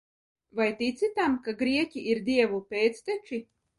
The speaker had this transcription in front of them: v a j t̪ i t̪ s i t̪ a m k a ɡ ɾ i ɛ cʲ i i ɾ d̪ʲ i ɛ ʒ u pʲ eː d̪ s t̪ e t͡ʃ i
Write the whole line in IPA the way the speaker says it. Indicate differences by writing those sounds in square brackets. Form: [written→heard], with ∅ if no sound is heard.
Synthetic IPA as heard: v a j t̪ i t̪ s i t̪ a m k a ɡ ɾ i ɛ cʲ i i ɾ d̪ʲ i ɛ [ʒ→v] u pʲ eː [d̪→t̪] s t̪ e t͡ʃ i